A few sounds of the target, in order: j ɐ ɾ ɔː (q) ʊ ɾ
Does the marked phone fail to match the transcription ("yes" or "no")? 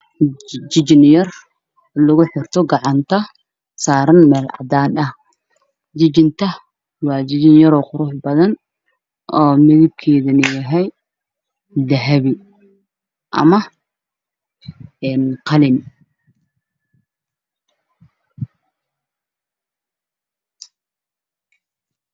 no